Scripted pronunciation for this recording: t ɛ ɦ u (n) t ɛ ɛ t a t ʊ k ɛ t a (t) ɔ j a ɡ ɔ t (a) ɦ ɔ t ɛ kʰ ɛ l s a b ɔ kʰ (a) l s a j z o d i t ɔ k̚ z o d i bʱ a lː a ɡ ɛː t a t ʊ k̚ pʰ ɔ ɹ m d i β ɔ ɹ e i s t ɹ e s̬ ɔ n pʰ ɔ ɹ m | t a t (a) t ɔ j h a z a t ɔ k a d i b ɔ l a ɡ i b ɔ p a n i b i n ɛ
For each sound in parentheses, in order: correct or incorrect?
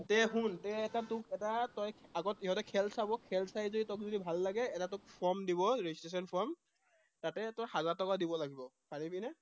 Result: correct, correct, incorrect, incorrect, incorrect

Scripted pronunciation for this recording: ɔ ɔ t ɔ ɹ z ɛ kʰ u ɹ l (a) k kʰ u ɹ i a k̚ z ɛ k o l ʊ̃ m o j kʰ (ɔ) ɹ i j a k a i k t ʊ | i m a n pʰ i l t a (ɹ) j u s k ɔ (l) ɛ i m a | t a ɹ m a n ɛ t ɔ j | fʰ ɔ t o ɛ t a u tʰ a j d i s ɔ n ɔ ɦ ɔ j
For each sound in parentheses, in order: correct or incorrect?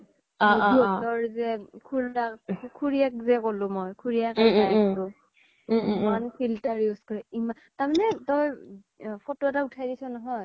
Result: correct, incorrect, correct, incorrect

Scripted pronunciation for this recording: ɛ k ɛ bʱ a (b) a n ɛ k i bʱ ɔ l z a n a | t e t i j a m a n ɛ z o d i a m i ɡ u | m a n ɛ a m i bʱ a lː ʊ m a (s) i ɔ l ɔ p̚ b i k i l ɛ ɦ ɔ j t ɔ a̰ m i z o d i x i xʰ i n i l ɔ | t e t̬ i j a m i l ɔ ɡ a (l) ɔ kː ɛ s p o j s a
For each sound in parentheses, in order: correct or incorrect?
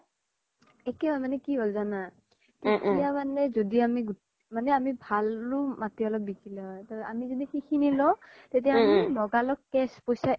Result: incorrect, incorrect, correct

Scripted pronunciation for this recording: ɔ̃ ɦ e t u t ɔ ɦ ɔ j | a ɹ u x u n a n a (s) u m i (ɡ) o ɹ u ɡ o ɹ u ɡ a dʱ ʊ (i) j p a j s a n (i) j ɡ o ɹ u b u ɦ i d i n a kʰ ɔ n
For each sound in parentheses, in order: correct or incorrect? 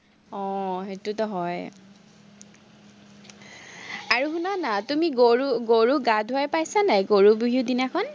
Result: incorrect, correct, incorrect, incorrect

